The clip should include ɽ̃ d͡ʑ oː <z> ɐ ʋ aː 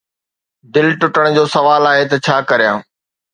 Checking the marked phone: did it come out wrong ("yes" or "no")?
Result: yes